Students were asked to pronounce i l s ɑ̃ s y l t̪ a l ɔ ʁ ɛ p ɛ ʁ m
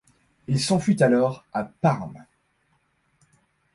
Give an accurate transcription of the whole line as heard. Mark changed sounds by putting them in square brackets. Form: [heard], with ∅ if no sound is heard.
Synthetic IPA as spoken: i l s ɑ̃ [f] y [∅] t̪ a l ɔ ʁ [a] p [a] ʁ m